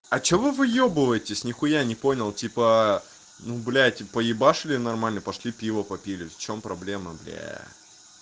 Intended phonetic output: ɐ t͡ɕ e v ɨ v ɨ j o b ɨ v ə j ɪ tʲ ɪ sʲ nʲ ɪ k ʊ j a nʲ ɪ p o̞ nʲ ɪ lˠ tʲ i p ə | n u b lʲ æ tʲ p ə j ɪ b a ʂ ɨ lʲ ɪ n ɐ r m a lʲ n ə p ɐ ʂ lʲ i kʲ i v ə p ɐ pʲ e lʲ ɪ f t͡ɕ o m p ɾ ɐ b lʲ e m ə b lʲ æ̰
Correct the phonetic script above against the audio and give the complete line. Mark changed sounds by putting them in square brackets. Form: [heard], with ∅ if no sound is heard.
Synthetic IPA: ɐ t͡ɕ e v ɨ v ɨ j o b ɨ v ə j ɪ tʲ ɪ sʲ nʲ ɪ [x] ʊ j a nʲ ɪ p o̞ nʲ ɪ lˠ tʲ i p ə | n u b lʲ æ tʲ p ə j ɪ b a ʂ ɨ lʲ ɪ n ɐ r m a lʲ n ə p ɐ ʂ lʲ i [pʲ] i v ə p ɐ pʲ [i] lʲ ɪ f t͡ɕ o m p ɾ ɐ b lʲ e m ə b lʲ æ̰